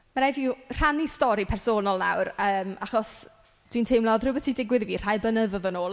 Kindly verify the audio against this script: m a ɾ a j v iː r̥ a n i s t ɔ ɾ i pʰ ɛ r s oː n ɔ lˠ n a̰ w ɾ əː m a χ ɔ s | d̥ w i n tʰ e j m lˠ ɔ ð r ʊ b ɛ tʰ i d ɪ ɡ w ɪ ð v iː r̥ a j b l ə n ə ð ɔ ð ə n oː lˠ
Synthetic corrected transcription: m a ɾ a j v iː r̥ a n i s t ɔ ɾ i pʰ ɛ r s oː n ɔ lˠ n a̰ w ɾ əː m a χ ɔ s | d̥ w i n tʰ e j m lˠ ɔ ð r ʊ b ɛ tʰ i d ɪ ɡ w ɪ ð v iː r̥ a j b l ə n ə ð ɔ ð ə n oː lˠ

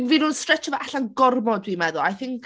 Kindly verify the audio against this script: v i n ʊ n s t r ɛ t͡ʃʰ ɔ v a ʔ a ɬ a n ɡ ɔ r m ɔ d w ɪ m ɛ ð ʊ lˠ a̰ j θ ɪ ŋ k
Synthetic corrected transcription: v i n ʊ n s t r ɛ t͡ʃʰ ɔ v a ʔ a ɬ a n ɡ ɔ r m ɔ d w i m ɛ ð ʊ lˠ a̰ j θ ɪ ŋ k

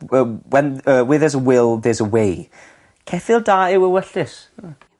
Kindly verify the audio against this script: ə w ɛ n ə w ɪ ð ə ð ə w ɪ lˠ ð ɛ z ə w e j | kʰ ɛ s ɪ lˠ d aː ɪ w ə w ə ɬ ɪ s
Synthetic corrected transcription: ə w ɛ n ə w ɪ ð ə z ə w ɪ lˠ ð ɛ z ə w e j | kʰ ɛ f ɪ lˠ d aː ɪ w ə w ə ɬ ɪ s

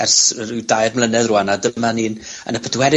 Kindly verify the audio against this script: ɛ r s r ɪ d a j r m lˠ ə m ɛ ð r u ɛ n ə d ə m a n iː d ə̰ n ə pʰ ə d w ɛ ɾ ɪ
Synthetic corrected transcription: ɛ r s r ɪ d a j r m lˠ ə n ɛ ð r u a n a d ə m a n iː n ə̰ n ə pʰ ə d w ɛ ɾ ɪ

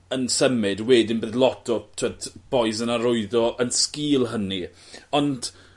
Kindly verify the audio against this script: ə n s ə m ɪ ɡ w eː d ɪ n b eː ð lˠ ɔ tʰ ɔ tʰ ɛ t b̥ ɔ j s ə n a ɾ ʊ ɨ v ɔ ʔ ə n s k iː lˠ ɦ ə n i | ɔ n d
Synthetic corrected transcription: ə n s ə m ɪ d w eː d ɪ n b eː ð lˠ ɔ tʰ ɔ tʰ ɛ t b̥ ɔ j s ə n a ɾ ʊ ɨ ð ɔ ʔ ə n s k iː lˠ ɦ ə n i | ɔ n d

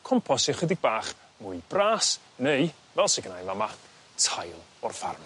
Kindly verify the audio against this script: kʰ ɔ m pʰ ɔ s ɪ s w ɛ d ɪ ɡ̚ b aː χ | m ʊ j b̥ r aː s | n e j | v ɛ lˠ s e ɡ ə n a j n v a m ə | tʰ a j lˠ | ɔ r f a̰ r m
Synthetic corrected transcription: kʰ ɔ m pʰ ɔ s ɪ χ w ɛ d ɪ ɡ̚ b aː χ | m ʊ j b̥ r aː s | n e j | v ɛ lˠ s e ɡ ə n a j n v a m a | tʰ a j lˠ | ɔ r f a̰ r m

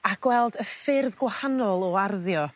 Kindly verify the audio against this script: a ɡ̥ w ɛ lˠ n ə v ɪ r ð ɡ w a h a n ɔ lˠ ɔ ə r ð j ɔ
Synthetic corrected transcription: a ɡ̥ w ɛ lˠ d ə f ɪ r ð ɡ w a h a n ɔ lˠ ɔ a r ð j ɔ

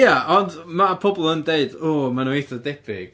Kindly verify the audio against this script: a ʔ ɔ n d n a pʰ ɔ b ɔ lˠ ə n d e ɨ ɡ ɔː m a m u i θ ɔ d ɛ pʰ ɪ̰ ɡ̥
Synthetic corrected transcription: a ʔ ɔ n d m a pʰ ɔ b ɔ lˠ ə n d e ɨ d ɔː m a n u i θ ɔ d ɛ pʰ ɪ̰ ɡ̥

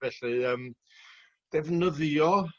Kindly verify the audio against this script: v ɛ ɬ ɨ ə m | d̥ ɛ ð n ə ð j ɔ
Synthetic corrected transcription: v ɛ ɬ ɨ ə m | d̥ ɛ v n ə ð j ɔ

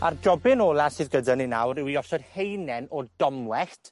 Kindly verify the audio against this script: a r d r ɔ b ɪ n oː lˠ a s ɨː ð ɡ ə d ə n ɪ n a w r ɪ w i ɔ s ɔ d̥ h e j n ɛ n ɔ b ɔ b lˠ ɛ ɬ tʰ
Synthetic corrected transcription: a r d r ɔ b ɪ n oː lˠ a s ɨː ð ɡ ə d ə n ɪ n a w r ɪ w i ɔ s ɔ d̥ h e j n ɛ n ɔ d ɔ m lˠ ɛ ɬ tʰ

